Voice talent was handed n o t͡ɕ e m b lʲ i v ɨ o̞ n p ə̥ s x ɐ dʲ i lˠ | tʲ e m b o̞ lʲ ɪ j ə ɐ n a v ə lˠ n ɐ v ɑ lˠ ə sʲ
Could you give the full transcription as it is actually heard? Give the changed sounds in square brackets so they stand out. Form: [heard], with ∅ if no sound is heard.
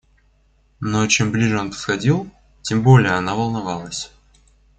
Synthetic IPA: n o t͡ɕ e m b lʲ i [ʐ] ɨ o̞ n p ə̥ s x ɐ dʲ i lˠ | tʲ e m b o̞ lʲ ɪ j ə ɐ n a v ə lˠ n ɐ v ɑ lˠ ə sʲ